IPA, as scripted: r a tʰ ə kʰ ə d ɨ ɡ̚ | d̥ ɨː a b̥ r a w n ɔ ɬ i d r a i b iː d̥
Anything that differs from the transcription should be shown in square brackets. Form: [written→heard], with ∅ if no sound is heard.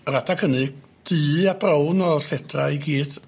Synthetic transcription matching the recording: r a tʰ [ə→a] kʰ ə [d→n] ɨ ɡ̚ | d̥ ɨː a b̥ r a w n ɔ ɬ [i→ɛ] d r a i [b→ɡ] iː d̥

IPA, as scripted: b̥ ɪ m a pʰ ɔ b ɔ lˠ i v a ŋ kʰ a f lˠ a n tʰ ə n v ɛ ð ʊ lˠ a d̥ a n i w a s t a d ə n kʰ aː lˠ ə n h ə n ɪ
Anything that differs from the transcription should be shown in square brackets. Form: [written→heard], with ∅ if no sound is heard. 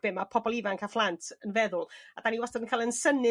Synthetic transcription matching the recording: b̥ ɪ m a pʰ ɔ b ɔ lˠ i v a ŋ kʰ a f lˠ a n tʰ ə n v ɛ ð ʊ lˠ a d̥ a n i w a s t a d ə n kʰ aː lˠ ə n [h→s] ə n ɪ

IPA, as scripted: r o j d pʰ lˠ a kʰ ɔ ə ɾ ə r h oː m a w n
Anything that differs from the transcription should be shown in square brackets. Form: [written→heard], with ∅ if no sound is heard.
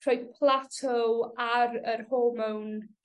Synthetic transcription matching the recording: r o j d pʰ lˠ a [kʰ→tʰ] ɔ [ə→a] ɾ ə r h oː m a w n

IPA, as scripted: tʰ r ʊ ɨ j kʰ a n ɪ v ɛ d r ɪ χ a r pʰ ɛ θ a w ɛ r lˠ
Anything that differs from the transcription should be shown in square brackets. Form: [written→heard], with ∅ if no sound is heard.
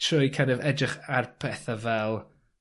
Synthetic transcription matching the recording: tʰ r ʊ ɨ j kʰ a n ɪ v ɛ d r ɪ χ a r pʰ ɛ θ a [w→v] ɛ [r→∅] lˠ

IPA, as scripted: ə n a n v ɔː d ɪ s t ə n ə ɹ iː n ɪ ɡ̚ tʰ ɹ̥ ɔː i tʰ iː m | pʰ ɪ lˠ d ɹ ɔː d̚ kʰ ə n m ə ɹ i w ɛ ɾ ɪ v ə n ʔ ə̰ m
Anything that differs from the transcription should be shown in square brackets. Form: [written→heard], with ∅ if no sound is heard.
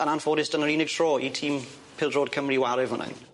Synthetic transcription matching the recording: ə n a n [v→f] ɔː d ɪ s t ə n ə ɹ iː n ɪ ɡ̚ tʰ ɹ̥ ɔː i tʰ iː m | pʰ ɪ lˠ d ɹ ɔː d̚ kʰ ə [n→∅] m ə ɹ i w [ɛ→a] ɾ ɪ v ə n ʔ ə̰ [m→n]

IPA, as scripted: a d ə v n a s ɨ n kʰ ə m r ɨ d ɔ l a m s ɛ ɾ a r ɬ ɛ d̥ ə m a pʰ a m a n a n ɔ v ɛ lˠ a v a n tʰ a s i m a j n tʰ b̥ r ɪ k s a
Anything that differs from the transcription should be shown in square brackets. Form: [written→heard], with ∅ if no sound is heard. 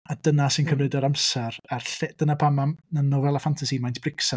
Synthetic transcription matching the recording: a d ə [v→∅] n a s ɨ n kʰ ə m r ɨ d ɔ [l→ɾ] a m s ɛ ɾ a r ɬ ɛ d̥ ə [m→n] a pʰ a m a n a n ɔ v ɛ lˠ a [v→f] a n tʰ a s i m a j n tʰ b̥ r ɪ k s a

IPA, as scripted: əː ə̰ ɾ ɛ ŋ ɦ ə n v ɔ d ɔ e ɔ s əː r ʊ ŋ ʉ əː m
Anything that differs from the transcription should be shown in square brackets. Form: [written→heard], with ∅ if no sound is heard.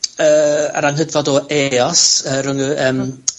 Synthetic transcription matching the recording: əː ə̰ ɾ [ɛ→a] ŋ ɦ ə [n→d] v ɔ d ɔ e ɔ s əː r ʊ ŋ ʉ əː m

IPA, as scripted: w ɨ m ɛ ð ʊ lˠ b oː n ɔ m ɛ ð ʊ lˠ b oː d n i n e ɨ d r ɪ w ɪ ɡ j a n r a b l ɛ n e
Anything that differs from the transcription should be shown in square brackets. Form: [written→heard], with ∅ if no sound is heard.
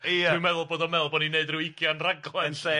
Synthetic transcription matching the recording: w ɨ m ɛ ð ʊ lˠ b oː [n→d] ɔ m ɛ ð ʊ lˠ b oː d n i n e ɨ d r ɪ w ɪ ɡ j a n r a [b→ɡ] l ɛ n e

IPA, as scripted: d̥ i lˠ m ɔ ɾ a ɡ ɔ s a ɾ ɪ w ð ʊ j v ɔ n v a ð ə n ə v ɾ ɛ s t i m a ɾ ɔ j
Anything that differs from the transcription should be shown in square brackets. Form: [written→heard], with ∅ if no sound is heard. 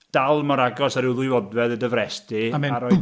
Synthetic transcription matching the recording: d̥ [i→a] lˠ m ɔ ɾ a ɡ ɔ s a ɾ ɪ w ð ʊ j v ɔ [n→d] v [a→ɛ] ð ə [n→d] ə v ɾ ɛ s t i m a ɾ ɔ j

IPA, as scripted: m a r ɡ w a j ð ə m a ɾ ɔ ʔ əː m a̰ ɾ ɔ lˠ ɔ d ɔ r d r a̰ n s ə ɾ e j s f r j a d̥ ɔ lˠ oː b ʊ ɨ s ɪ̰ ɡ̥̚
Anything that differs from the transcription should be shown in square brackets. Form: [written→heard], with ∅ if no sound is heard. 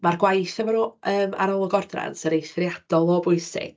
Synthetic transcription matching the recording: m a r ɡ w a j [ð→θ] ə m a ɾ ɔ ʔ əː m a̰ ɾ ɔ lˠ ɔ [d→ɡ] ɔ r d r a̰ n s ə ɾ e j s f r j a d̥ ɔ lˠ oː b ʊ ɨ s ɪ̰ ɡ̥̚

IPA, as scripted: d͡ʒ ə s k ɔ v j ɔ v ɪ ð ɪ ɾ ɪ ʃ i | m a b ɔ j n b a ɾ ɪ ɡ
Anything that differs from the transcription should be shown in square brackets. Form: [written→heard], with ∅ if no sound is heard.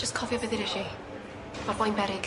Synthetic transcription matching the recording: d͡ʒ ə s [k→kʰ] ɔ v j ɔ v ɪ ð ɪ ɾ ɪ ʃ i | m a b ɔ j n b [a→ɛ] ɾ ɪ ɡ

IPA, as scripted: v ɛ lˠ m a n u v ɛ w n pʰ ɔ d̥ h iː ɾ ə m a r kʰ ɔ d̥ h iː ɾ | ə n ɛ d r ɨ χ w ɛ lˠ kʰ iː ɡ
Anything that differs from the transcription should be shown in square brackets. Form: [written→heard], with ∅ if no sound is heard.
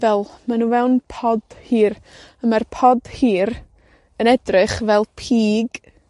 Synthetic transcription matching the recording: v ɛ lˠ m a n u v ɛ w n pʰ ɔ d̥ h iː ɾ ə m a r [kʰ→pʰ] ɔ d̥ h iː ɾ | ə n ɛ d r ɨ χ [w→v] ɛ lˠ [kʰ→pʰ] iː ɡ

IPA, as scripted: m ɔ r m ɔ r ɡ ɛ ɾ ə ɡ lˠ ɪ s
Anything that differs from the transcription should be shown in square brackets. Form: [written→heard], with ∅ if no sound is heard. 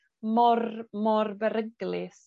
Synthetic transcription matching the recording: m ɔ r m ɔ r [ɡ→b] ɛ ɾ ə ɡ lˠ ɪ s

